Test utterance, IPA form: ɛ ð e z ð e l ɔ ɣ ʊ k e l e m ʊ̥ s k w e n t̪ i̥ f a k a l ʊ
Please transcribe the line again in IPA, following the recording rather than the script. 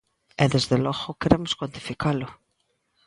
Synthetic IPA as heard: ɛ ð e z ð e l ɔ ɣ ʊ k e ɾ e m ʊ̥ s k w a n t̪ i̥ f i k a l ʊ

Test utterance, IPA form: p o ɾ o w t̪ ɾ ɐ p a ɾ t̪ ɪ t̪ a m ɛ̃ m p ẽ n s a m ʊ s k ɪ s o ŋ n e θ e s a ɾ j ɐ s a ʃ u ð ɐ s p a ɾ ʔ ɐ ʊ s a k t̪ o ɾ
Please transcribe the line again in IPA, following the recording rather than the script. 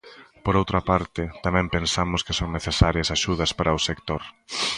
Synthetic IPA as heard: p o ɾ o w t̪ ɾ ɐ p a ɾ t̪ ɪ t̪ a m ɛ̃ m p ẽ n s a m ʊ s k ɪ s o ŋ n e θ e s a ɾ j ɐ s a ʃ u ð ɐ s p a ɾ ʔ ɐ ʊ s e k t̪ o ɾ

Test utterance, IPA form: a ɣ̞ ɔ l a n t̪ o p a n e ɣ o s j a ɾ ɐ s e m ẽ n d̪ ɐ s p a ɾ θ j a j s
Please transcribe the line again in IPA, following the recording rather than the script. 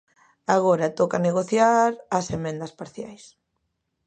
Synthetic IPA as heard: a ɣ̞ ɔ ɾ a t̪ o k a n e ɣ o θ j a ɾ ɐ s e m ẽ n d̪ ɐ s p a ɾ θ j a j s

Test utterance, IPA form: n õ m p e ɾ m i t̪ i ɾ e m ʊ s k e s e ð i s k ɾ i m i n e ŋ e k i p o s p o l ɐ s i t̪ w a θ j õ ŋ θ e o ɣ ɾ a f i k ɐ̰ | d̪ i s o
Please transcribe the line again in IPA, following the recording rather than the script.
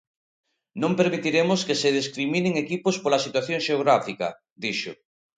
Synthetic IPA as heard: n õ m p e ɾ m i t̪ i ɾ e m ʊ s k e s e ð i s k ɾ i m i n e ŋ e k i p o s p o l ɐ s i t̪ w a θ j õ ŋ ʃ e o ɣ ɾ a f i k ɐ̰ | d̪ i ʃ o

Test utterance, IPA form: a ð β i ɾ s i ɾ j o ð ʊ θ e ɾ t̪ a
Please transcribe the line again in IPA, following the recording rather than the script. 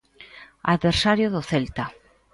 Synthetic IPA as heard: a ð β e ɾ s a ɾ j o ð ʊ θ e l t̪ a

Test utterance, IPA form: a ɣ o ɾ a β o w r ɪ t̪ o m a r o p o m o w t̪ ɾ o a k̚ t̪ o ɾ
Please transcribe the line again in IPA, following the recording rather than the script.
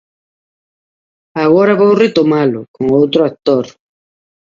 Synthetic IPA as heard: a ɣ o ɾ a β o w r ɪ t̪ o m a l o k o ŋ o w t̪ ɾ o a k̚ t̪ o ɾ

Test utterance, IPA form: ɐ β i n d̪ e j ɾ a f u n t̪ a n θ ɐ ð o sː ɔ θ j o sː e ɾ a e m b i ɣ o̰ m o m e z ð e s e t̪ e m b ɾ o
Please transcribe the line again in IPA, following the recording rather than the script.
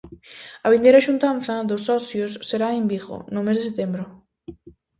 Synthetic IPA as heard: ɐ β i n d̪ e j ɾ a ʃ u n t̪ a n θ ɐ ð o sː ɔ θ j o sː e ɾ a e m b i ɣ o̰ n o m e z ð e s e t̪ e m b ɾ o

